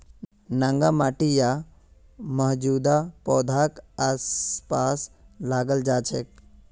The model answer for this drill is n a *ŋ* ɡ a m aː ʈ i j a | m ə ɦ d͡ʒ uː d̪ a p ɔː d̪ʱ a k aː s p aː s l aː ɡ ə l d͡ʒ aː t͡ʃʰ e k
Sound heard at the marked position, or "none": ŋ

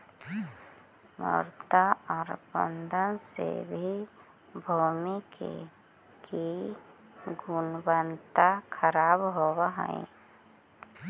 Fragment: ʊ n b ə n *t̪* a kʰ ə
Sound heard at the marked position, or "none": t̪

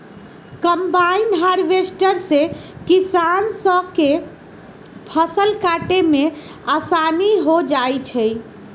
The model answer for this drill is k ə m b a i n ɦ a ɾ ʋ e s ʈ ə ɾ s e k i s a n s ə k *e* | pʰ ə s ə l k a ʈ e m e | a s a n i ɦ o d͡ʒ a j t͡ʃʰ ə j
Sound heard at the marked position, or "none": e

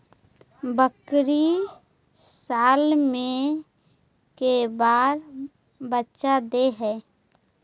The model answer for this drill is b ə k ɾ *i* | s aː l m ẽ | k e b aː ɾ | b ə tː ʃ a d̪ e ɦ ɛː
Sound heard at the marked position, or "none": i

